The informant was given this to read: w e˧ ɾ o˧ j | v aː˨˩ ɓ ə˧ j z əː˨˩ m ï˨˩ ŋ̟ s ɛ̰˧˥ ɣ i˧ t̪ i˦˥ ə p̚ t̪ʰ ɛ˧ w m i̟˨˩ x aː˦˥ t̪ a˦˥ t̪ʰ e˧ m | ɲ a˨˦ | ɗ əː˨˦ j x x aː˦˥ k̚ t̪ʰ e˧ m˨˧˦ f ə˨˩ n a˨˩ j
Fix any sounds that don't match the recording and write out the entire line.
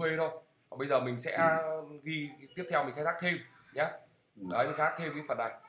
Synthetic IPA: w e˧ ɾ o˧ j | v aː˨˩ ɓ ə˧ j z əː˨˩ m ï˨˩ ŋ̟ s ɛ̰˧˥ ɣ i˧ t̪ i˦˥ ə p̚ t̪ʰ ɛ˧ w m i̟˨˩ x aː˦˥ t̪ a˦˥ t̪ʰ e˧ m | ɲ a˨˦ | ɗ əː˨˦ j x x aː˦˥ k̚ t̪ʰ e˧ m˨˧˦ f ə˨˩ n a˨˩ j